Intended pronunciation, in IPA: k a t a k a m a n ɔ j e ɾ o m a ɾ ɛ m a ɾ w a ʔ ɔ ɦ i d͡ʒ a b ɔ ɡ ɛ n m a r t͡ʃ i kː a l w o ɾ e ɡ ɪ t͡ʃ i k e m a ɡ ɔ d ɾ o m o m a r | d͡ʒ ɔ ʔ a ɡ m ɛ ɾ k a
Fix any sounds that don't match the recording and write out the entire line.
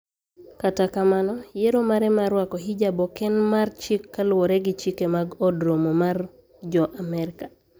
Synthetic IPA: k a t a k a m a n ɔ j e ɾ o m a ɾ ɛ m a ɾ w a k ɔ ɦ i d͡ʒ a b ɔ k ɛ n m a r t͡ʃ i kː a l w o ɾ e ɡ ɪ t͡ʃ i k e m a ɡ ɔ d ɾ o m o m a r | d͡ʒ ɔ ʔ a m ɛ ɾ k a